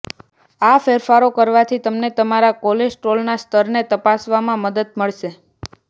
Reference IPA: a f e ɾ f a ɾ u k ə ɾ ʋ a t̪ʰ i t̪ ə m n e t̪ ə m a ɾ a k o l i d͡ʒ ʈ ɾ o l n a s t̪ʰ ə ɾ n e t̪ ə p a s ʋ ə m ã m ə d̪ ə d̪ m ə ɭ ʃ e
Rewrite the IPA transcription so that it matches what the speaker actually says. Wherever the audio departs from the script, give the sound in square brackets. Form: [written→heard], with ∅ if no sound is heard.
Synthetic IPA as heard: a f e ɾ f a ɾ [u→o] k ə ɾ ʋ a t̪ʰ i t̪ ə m n e t̪ ə m a ɾ a k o l [i→e] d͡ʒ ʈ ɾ o l n a s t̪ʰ ə ɾ n e t̪ ə p a s ʋ [ə→a] m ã m ə d̪ ə d̪ m ə ɭ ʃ e